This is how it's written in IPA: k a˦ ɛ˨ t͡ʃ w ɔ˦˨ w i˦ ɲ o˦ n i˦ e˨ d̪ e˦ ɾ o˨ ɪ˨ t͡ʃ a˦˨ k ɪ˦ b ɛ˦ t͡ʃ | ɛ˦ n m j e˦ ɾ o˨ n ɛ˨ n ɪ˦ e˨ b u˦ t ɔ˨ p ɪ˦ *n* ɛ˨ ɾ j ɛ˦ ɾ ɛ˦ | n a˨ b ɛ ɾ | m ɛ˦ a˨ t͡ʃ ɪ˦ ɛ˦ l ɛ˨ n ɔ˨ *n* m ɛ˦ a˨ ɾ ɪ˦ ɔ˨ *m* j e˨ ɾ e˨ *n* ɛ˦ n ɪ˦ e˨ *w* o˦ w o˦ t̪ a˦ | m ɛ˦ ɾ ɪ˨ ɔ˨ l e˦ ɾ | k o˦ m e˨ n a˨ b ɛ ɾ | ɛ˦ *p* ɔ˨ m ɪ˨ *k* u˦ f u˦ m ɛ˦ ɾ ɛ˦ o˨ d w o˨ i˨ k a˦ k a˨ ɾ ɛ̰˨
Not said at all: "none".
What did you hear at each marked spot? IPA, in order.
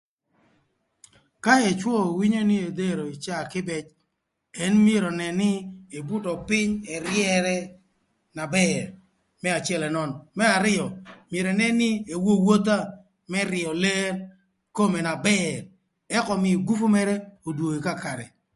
ɲ, n, m, n, w, k, ɡ

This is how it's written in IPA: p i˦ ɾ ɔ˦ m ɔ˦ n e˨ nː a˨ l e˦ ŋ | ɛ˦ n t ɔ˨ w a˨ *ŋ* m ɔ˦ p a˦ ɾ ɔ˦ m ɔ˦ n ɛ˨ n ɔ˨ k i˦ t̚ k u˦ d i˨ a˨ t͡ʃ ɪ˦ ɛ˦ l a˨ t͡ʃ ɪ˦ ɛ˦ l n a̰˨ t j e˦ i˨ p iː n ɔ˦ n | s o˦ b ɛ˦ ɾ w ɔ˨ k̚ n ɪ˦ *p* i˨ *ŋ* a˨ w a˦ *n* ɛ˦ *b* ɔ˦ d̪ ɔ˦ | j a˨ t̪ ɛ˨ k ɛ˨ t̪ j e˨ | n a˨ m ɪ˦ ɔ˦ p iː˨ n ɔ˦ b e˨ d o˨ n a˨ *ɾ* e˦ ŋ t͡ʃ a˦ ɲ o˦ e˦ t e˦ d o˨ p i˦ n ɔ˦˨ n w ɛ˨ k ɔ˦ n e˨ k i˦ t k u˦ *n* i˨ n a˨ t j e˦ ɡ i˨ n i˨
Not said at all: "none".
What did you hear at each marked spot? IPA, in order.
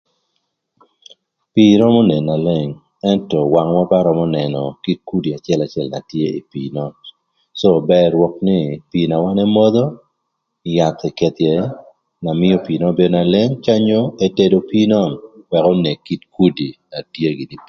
ŋ, p, n, n, m, l, d

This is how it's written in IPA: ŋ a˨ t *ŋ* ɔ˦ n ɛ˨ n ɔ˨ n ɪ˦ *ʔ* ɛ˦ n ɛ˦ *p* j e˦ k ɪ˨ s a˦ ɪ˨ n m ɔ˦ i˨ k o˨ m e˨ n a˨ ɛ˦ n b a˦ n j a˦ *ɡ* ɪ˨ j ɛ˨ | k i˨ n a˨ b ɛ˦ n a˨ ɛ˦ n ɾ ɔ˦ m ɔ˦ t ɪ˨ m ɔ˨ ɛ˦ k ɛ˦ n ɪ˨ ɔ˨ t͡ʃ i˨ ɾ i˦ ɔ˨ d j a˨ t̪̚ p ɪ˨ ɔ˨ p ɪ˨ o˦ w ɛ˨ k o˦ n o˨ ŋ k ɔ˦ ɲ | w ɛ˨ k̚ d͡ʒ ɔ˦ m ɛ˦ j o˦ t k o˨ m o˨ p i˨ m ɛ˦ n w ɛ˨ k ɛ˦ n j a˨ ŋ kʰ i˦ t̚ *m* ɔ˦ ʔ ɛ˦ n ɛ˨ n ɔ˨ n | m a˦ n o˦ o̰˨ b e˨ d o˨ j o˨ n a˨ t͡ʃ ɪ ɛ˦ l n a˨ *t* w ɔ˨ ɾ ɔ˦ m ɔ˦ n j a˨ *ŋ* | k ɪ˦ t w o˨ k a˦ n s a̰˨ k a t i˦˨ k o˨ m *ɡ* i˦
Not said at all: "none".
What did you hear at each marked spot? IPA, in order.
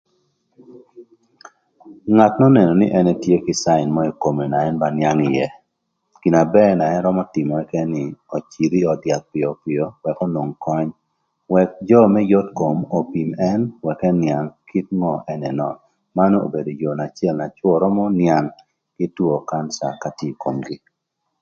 n, ʔ, t, ŋ, ŋ, t͡ʃ, ŋ, ɡ

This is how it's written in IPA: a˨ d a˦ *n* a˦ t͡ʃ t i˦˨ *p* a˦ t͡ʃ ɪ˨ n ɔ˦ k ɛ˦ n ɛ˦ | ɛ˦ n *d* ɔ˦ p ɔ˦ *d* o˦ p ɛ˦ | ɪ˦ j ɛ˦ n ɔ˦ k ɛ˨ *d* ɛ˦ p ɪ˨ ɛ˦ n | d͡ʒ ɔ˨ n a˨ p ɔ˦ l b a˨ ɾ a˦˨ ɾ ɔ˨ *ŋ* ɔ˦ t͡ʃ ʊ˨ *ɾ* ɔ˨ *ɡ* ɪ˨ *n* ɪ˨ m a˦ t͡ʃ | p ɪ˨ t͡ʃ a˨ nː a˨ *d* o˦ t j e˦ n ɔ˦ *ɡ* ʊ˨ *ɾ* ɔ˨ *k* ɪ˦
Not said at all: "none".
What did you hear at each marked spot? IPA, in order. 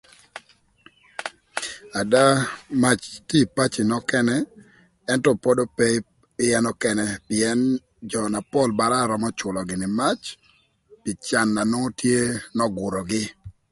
m, p, t, d, n, m, l, ɡ, n, n, ɡ, ɾ, ɡ

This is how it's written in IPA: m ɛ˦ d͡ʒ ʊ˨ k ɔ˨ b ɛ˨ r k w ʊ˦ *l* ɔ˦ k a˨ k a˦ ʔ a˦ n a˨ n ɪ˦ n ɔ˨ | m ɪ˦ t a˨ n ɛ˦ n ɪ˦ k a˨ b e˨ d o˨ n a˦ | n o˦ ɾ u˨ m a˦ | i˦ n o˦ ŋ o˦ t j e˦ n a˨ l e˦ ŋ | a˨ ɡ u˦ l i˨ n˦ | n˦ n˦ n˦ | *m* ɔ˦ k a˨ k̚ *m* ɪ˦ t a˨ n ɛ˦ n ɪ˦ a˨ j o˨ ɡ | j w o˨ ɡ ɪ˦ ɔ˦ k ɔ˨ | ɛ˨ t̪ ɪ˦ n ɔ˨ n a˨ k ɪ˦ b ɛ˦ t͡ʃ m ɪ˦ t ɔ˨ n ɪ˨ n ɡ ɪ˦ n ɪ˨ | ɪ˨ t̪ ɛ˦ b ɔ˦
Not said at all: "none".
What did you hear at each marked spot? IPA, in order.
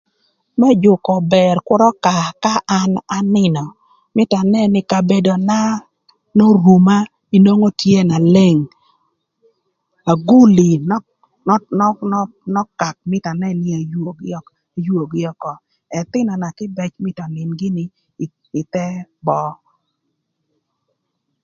ɾ, n, m

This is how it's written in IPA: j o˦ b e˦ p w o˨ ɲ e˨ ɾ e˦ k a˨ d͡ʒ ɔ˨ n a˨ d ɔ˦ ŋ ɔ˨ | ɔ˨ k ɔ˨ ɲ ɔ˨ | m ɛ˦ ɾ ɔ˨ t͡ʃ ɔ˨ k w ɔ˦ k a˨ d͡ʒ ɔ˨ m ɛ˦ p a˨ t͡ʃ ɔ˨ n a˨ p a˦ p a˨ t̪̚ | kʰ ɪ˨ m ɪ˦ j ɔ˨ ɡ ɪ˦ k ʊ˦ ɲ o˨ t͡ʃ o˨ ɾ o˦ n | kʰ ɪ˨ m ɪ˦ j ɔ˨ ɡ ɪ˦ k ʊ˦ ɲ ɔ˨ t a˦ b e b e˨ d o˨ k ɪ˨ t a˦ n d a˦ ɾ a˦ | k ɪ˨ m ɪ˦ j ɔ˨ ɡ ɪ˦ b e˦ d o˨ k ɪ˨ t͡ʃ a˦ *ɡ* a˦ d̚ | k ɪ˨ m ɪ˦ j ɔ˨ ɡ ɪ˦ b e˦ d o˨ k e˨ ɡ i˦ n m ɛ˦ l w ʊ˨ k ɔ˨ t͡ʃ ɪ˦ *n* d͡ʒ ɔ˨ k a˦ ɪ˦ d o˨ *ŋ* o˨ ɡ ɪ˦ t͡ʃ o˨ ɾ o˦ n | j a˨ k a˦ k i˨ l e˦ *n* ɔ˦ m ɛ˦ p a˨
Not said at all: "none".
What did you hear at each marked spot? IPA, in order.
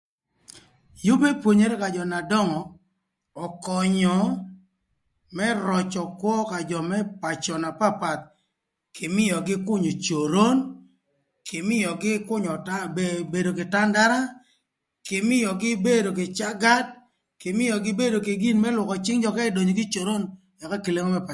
ɡ, ŋ, ɲ, ŋ

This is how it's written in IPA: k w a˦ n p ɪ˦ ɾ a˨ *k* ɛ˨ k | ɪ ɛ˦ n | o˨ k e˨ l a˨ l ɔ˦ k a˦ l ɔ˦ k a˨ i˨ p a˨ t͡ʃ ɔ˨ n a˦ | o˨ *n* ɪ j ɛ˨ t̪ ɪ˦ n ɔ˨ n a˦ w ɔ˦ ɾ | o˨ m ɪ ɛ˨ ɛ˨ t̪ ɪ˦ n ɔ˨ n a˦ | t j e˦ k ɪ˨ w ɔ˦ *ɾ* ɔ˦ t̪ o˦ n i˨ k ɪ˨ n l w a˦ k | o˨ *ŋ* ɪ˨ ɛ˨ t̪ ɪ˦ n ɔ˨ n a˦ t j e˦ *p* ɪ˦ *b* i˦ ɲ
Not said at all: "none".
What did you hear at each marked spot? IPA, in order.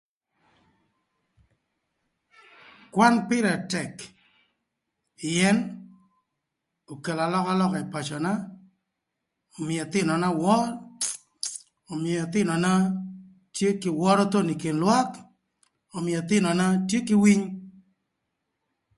t, m, ɾ, m, k, w

